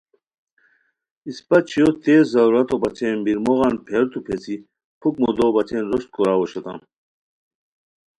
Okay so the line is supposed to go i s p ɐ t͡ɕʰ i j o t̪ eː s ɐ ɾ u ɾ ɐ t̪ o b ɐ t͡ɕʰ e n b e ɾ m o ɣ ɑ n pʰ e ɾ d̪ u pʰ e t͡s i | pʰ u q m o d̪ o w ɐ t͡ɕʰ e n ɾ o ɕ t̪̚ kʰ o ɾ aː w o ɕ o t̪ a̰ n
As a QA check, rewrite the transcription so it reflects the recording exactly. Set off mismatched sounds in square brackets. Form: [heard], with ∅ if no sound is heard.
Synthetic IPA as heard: i s p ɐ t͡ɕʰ i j o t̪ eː [z] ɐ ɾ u ɾ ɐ t̪ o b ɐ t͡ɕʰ e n b [i] ɾ m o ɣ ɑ n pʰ e ɾ [t̪] u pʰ e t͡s i | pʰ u [k] m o d̪ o [b] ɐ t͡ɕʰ e n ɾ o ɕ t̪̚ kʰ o ɾ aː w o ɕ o t̪ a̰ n